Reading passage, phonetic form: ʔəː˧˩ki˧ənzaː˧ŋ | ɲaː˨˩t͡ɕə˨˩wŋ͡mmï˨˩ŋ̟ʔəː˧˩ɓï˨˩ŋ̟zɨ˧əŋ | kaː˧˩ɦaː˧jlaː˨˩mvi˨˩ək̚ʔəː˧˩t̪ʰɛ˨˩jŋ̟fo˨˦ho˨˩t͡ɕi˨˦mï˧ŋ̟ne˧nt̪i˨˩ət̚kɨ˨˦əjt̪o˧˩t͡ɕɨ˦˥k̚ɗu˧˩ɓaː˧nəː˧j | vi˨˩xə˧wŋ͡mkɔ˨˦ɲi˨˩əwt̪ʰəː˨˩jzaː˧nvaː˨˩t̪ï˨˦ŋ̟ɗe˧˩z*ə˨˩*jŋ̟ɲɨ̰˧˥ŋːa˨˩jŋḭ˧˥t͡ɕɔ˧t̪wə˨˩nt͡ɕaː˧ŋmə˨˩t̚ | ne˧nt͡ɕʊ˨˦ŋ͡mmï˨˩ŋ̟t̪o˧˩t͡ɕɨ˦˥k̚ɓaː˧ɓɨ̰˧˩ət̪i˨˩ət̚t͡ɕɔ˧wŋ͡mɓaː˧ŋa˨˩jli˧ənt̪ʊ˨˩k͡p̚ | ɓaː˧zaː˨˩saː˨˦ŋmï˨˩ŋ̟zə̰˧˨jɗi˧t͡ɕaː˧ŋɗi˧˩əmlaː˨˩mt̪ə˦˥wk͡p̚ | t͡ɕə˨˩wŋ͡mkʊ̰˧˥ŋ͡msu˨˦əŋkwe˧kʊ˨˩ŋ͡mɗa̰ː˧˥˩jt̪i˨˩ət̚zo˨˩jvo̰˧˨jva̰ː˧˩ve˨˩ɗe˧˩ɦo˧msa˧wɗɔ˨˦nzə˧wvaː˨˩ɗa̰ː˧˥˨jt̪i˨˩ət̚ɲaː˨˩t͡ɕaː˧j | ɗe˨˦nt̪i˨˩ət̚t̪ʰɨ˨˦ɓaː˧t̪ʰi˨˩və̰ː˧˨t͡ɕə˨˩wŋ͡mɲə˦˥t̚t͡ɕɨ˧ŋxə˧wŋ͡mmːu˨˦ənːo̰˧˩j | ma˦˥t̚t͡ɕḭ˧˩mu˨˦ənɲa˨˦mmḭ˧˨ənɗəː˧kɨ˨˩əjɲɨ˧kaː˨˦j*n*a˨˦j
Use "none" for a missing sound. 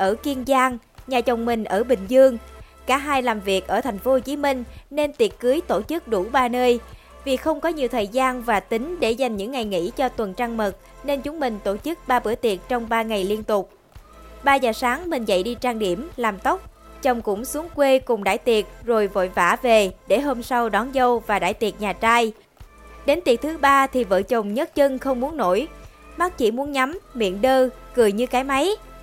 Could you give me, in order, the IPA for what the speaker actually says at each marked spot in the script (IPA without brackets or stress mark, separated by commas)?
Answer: a˨˩, m